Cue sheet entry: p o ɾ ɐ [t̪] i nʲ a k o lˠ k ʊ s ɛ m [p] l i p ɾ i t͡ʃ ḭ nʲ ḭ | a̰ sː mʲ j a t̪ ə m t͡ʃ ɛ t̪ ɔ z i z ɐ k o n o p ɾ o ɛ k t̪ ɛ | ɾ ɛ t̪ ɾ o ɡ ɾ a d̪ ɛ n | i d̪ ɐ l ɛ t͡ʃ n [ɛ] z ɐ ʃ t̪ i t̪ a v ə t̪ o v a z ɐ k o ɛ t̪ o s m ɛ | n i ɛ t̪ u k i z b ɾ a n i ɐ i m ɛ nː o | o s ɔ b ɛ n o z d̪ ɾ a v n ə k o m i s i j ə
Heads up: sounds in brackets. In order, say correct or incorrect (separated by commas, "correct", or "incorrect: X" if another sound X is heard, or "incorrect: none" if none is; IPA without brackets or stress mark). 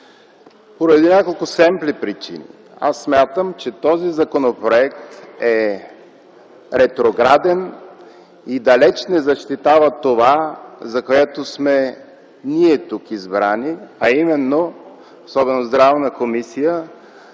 incorrect: d̪, correct, correct